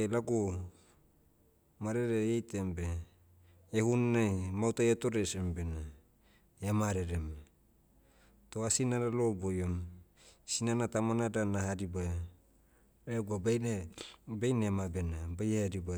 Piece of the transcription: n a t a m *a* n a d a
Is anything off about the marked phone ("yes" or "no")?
no